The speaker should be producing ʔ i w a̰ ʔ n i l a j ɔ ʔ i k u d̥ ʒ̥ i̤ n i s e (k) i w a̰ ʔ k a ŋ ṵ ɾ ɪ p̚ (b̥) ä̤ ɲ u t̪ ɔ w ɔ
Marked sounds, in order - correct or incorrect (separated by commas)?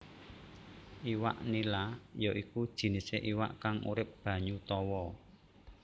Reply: incorrect, correct